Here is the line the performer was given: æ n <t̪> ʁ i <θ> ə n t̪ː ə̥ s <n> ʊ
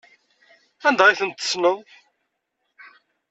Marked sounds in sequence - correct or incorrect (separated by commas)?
incorrect, correct, correct